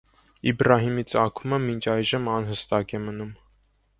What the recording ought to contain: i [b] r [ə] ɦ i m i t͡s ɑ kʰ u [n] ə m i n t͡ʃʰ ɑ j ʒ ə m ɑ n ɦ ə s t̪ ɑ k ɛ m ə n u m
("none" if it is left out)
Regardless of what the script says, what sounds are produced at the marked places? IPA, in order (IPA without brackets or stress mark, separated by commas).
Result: b, ɑ, m